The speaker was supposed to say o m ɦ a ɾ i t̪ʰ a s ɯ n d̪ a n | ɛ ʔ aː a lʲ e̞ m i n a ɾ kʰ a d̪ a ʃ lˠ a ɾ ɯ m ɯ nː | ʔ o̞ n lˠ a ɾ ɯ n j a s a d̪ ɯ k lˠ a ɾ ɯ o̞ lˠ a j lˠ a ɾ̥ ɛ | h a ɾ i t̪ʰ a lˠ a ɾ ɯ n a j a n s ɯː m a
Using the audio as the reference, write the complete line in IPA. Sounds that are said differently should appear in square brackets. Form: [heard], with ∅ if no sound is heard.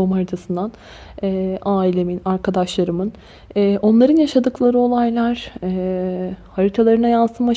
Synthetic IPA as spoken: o m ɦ a ɾ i t̪ʰ a s ɯ n d̪ a n | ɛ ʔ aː [i] lʲ e̞ m i n a ɾ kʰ a d̪ a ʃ lˠ a ɾ ɯ m ɯ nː | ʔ o̞ n lˠ a ɾ ɯ n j a [ʃ] a d̪ ɯ k lˠ a ɾ ɯ o̞ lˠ a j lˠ a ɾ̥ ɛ | h a ɾ i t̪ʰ a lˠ a ɾ ɯ n a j a n s [ɯ] m a

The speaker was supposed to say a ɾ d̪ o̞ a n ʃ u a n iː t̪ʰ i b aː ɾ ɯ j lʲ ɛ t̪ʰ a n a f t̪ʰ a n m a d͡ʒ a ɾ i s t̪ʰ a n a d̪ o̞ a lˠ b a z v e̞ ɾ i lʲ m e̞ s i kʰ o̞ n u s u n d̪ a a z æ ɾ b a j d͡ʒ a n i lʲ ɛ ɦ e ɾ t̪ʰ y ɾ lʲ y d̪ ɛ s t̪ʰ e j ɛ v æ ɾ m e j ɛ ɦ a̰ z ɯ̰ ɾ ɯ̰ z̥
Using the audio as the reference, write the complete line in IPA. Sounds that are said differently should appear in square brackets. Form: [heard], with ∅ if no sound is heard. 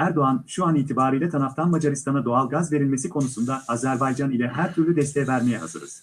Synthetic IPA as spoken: [æ] ɾ d̪ o̞ a n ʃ u a n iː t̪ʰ i b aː ɾ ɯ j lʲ ɛ t̪ʰ a n a f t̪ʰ a n m a d͡ʒ a ɾ i s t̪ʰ a n a d̪ o̞ a lˠ [ɡ] a z v e̞ ɾ i lʲ m e̞ s i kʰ o̞ n u s u n d̪ a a z æ ɾ b a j d͡ʒ a n i lʲ ɛ ɦ [æ] ɾ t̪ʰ y ɾ lʲ y d̪ ɛ s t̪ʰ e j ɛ v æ ɾ m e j ɛ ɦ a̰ z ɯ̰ ɾ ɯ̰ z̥

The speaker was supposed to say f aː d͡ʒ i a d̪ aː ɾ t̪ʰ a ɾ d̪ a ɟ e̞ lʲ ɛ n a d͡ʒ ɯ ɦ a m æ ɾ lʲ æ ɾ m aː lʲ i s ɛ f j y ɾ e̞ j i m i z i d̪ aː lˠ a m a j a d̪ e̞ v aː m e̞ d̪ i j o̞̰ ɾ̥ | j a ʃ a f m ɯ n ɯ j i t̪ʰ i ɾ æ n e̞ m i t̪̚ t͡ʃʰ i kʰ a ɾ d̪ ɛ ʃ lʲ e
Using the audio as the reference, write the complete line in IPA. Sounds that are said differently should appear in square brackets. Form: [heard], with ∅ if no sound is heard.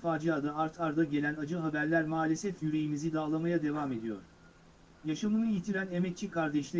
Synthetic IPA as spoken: f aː d͡ʒ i a d̪ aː ɾ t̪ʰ a ɾ d̪ a ɟ e̞ lʲ [æ] n a d͡ʒ ɯ ɦ a [b] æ ɾ lʲ æ ɾ m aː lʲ [e] s ɛ f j y ɾ e̞ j i m i z i d̪ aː lˠ a m a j a d̪ e̞ v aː m e̞ d̪ i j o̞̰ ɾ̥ | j a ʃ a [∅] m ɯ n ɯ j i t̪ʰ i ɾ æ n e̞ m [ɛ] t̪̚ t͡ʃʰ i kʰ a ɾ d̪ ɛ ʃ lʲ e

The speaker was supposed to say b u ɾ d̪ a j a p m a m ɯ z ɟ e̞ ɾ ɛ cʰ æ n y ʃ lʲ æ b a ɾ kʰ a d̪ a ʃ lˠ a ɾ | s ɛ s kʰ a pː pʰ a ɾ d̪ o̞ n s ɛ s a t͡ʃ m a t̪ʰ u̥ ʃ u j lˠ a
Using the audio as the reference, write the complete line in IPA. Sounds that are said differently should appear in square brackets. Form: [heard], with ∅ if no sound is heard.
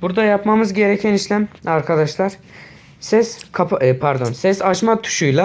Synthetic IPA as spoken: b u ɾ d̪ a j a p m a m ɯ z ɟ e̞ ɾ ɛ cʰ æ n [i] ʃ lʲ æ [m] a ɾ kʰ a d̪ a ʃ lˠ a ɾ | s ɛ s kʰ a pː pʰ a ɾ d̪ o̞ n s ɛ s a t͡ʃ m a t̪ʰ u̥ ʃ u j lˠ a

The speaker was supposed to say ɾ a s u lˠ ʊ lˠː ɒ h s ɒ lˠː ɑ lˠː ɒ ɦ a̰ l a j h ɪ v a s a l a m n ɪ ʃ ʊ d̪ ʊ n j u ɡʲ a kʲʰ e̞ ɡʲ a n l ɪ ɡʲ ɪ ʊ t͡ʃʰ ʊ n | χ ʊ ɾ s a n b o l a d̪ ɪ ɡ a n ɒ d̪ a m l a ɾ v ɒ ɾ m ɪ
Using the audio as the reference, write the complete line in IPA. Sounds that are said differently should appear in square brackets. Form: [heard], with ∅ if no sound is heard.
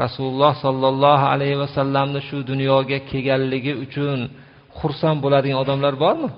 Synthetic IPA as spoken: ɾ a s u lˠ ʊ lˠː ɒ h s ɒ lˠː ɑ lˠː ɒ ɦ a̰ l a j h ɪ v a s a [lː] a m n ɪ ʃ ʊ d̪ ʊ n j [ɒ] ɡʲ a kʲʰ e̞ ɡʲ a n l ɪ ɡʲ ɪ ʊ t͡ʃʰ ʊ n | χ ʊ ɾ s a n b o l a d̪ ɪ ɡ a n ɒ d̪ a m l a ɾ [b] ɒ ɾ m ɪ

